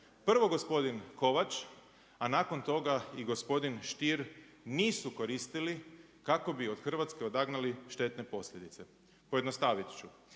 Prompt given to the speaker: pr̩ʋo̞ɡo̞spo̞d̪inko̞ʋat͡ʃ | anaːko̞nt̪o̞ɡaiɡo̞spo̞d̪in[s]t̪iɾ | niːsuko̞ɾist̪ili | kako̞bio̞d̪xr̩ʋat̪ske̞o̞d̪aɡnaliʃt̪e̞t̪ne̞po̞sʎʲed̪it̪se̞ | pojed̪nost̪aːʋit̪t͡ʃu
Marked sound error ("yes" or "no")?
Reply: yes